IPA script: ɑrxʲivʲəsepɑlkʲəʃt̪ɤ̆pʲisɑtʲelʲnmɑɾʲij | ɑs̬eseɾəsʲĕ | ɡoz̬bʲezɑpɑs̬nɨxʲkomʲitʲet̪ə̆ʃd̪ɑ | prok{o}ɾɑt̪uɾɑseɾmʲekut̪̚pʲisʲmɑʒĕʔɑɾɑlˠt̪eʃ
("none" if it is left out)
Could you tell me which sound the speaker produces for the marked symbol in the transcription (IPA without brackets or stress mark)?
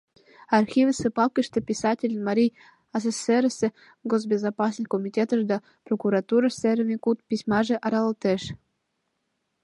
u